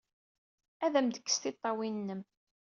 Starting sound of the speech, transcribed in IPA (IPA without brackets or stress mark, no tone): æ